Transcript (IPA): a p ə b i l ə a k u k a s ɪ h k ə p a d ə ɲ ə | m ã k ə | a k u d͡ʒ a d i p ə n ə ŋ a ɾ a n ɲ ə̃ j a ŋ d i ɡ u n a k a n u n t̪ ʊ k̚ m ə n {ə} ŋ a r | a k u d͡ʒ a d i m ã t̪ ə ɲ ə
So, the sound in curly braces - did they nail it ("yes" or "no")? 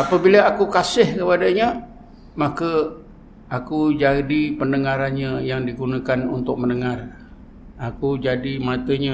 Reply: yes